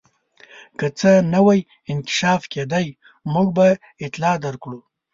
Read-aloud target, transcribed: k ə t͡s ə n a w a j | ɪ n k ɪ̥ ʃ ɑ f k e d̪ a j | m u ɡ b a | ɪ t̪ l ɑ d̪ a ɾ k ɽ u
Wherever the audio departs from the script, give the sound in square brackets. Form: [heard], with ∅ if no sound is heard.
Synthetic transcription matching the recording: k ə t͡s ə n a w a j | ɪ n k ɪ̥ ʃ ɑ f k e d̪ a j | m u ɡ b a | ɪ t̪ l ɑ d̪ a ɾ k ɽ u